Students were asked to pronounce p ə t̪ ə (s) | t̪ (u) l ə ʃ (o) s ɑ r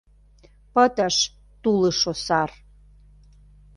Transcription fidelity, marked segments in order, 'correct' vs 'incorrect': incorrect: ʃ, correct, correct

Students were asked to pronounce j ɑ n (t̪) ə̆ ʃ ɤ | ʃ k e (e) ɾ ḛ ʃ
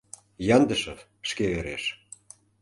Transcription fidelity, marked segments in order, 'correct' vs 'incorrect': incorrect: d̪, correct

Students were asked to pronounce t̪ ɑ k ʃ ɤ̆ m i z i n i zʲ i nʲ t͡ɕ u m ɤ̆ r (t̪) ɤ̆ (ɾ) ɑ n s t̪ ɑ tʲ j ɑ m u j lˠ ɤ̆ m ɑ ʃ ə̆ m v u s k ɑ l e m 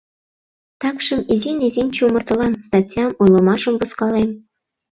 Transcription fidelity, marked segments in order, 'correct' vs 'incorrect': correct, incorrect: l

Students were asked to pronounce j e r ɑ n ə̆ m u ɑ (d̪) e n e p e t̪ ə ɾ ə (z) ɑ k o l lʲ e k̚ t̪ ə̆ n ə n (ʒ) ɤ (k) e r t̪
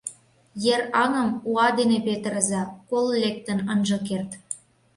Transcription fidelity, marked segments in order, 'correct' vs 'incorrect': correct, correct, correct, correct

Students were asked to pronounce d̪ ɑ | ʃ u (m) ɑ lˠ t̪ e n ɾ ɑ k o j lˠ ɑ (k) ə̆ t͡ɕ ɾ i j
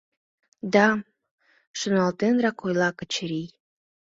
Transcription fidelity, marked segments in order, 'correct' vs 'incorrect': incorrect: n, correct

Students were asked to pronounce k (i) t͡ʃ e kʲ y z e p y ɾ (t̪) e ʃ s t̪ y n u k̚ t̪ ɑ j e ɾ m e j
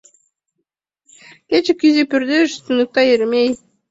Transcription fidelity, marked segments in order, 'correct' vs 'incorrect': incorrect: e, incorrect: d̪

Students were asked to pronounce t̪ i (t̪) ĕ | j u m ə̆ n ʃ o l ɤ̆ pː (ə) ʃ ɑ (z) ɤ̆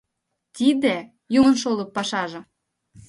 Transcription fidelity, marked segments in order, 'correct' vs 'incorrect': incorrect: d̪, incorrect: ɑ, incorrect: ʒ

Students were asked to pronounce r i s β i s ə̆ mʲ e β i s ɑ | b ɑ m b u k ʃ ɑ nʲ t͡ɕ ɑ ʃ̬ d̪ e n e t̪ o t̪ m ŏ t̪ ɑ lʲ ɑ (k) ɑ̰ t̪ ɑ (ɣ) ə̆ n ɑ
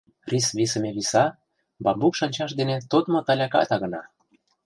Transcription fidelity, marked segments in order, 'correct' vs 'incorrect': correct, correct

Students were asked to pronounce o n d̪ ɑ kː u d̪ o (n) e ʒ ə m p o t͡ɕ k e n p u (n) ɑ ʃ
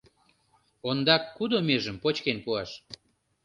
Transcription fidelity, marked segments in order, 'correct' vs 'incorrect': incorrect: m, incorrect: none

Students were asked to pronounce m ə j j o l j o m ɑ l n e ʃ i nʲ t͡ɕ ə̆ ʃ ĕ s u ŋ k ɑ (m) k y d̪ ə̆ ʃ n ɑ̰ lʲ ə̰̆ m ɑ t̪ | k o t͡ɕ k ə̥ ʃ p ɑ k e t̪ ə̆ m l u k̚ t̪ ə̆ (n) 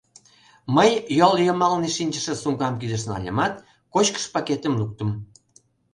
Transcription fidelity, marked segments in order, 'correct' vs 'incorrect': correct, incorrect: m

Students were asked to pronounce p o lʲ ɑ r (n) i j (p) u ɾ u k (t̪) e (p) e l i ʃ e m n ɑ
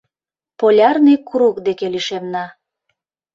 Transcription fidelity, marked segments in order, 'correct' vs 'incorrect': correct, incorrect: k, incorrect: d̪, incorrect: k

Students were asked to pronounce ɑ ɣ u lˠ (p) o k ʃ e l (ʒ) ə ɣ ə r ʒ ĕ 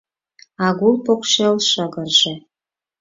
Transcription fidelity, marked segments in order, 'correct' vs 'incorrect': correct, incorrect: ʃ

